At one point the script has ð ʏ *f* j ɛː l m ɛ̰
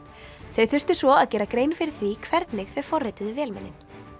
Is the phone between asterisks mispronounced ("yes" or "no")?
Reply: yes